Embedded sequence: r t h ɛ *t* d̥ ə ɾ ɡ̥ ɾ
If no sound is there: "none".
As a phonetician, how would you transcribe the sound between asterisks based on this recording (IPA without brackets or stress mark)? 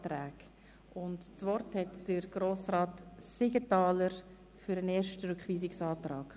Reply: t